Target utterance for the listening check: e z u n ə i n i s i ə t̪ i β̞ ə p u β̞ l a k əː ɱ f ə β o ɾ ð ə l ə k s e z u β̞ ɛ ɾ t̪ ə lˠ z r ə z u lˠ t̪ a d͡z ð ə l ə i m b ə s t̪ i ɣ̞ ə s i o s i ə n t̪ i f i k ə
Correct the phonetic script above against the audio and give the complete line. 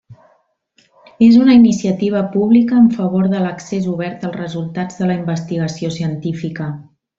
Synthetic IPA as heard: e z u n ə i n i s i ə t̪ i β̞ ə p u β̞ l i k əː ɱ f ə β o ɾ ð ə l ə k s e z u β̞ ɛ ɾ t̪ ə lˠ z r ə z u lˠ t̪ a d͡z ð ə l ə i m b ə s t̪ i ɣ̞ ə s i o s i ə n t̪ i f i k ə